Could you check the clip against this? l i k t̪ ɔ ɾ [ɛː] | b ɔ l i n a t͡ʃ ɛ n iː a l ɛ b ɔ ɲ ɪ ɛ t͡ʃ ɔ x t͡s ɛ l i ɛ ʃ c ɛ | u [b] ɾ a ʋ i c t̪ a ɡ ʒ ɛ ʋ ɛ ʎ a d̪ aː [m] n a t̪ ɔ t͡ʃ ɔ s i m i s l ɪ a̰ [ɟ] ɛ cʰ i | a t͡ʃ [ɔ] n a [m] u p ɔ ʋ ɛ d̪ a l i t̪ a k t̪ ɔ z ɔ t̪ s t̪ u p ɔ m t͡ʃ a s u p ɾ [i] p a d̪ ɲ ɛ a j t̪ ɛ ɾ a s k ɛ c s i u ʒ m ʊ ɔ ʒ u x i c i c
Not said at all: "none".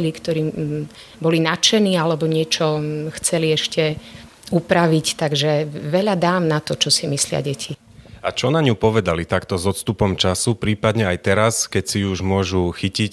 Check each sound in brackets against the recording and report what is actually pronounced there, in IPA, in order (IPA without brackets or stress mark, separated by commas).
iː, p, m, ɟ, ɔ, ɲ, iː